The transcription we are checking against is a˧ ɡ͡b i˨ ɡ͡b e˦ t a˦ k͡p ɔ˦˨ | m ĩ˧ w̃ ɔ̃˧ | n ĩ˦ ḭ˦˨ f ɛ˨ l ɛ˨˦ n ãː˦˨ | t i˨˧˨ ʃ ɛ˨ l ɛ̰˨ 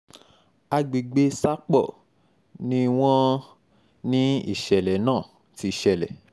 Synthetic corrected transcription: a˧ ɡ͡b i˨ ɡ͡b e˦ s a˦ k͡p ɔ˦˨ | n ĩ˧ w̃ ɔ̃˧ | n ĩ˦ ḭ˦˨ ʃ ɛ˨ l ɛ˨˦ n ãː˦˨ | t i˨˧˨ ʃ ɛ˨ l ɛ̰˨